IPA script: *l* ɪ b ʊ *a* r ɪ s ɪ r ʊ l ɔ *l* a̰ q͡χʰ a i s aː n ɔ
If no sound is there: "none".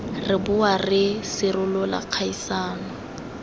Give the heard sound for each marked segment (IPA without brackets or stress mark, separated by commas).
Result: r, a, l